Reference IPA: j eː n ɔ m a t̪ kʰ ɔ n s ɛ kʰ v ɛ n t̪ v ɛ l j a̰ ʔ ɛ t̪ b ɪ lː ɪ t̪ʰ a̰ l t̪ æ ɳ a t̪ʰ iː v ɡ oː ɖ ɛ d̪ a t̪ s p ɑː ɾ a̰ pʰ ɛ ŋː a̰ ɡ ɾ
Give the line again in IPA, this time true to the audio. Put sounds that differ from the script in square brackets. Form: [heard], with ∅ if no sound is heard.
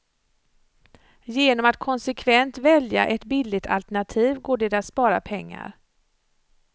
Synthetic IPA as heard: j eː n ɔ m a t̪ kʰ ɔ n s ɛ kʰ v ɛ n t̪ v ɛ l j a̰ ʔ ɛ t̪ b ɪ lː ɪ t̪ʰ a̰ l t̪ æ ɳ a t̪ʰ iː v ɡ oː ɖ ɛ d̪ a t̪ s p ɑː ɾ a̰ pʰ ɛ ŋː a̰ [∅] ɾ